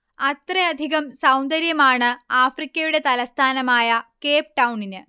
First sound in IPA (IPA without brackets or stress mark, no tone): ɐ